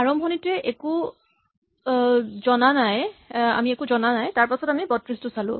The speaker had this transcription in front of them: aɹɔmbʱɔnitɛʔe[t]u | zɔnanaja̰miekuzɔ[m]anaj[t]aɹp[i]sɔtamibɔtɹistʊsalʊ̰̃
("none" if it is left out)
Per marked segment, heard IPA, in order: k, n, t, a

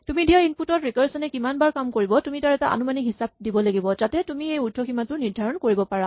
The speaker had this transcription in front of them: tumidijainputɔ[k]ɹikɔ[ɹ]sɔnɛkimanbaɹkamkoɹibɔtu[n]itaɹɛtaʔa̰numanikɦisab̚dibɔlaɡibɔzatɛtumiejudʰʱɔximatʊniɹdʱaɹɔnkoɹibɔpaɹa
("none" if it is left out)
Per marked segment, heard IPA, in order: t, ɹ, m

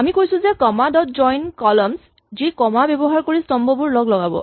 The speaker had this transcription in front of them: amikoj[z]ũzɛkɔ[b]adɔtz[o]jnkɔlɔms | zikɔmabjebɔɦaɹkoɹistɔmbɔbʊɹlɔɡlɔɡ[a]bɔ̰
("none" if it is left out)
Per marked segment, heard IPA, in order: s, m, ɔ, a

